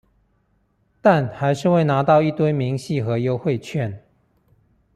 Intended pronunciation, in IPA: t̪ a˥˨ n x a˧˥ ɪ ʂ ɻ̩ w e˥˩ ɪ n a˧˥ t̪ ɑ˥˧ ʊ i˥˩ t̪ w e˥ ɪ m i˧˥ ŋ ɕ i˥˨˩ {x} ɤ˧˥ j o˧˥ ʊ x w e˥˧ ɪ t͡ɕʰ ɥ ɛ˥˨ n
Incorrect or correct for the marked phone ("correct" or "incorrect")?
correct